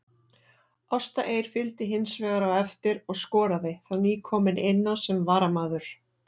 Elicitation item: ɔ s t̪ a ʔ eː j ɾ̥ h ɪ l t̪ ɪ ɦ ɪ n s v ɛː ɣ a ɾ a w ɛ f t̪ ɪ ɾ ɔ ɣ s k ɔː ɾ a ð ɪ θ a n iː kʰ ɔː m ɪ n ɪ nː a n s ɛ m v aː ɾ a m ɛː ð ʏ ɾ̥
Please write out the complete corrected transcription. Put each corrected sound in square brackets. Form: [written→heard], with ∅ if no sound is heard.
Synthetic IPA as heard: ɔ s t̪ a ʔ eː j ɾ̥ [h→f] ɪ l t̪ ɪ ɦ ɪ n s v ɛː ɣ a ɾ a w ɛ f t̪ ɪ ɾ ɔ ɣ s k ɔː ɾ a ð ɪ θ a n iː kʰ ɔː m ɪ n ɪ nː a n s ɛ m v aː ɾ a m [ɛː→aː] ð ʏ ɾ̥